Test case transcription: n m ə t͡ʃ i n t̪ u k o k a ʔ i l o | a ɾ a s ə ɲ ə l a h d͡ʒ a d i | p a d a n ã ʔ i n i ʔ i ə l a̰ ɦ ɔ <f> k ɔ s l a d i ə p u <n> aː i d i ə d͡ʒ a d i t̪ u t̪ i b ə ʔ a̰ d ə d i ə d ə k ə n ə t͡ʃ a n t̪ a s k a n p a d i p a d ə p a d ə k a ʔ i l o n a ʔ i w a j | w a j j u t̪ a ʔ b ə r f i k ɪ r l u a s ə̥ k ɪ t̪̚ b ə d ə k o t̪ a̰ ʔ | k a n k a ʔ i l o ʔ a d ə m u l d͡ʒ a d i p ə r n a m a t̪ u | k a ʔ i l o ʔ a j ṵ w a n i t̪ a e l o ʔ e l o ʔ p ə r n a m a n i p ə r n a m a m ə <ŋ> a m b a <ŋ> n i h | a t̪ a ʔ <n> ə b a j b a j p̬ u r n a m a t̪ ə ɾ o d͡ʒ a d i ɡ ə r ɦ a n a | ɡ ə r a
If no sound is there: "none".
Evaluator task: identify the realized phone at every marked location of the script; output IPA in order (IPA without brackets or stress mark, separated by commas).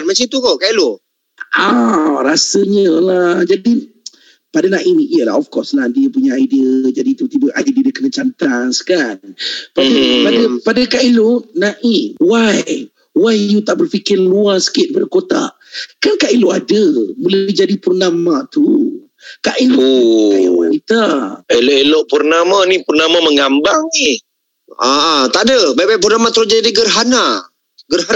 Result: f, ɲ, ŋ, ŋ, d